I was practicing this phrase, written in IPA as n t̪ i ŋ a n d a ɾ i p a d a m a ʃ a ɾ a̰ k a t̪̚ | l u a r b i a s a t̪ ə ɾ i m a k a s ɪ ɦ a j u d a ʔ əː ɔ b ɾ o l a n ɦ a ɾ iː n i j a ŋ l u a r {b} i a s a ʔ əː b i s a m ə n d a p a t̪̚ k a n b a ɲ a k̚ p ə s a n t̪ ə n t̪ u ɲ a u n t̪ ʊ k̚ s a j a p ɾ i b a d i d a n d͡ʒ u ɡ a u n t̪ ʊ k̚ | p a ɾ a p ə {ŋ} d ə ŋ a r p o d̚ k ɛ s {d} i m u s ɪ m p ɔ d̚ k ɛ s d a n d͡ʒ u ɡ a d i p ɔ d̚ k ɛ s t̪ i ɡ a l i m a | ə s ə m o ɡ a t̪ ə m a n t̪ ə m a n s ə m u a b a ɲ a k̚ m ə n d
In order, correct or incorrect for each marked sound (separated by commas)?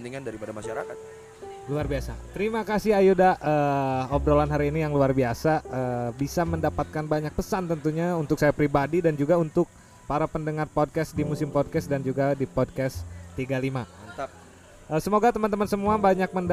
correct, incorrect, correct